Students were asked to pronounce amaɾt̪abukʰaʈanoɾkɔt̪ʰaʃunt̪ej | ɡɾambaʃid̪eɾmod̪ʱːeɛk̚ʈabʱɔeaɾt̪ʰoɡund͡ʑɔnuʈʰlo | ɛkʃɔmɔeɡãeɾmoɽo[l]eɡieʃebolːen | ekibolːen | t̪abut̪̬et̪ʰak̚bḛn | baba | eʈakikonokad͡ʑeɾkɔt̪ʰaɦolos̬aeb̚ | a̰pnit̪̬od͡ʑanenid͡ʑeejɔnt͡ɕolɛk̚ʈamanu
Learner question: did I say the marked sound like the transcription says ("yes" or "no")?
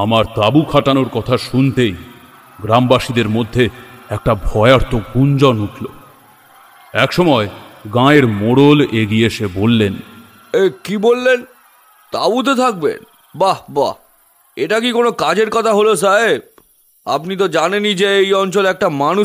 yes